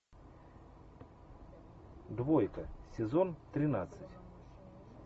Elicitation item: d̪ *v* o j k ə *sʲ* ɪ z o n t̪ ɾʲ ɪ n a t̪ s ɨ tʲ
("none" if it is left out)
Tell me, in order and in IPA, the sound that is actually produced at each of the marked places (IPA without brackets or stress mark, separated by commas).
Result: v, sʲ